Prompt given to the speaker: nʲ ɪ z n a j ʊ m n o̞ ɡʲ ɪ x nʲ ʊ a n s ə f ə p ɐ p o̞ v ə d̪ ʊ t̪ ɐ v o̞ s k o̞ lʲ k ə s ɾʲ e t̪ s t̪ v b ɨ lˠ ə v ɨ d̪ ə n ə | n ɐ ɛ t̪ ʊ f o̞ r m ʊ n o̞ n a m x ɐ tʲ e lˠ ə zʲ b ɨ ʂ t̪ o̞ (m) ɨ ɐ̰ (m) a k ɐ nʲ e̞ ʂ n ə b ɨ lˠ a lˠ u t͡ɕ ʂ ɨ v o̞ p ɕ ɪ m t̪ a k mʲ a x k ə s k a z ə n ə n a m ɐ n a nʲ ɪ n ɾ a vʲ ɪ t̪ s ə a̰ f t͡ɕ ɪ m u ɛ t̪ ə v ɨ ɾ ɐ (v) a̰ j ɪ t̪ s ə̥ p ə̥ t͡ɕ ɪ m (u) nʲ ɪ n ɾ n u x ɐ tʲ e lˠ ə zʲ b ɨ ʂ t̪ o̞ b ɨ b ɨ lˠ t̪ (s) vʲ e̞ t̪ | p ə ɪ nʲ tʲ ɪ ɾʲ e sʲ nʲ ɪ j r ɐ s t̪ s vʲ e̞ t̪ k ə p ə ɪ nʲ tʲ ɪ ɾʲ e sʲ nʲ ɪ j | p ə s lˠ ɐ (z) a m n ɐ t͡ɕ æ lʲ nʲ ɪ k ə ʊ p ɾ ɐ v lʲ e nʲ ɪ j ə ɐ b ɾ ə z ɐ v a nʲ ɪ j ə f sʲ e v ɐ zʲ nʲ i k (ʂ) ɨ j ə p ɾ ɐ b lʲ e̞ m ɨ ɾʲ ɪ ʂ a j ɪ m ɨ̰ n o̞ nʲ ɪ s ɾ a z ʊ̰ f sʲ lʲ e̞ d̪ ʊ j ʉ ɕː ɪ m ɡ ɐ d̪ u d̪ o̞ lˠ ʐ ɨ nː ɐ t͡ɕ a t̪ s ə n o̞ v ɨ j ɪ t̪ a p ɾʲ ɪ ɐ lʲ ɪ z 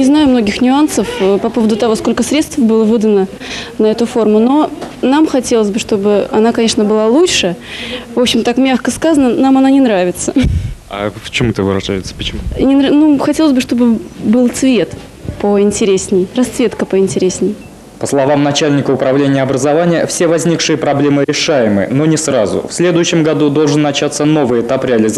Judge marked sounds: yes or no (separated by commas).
no, no, no, yes, yes, no, yes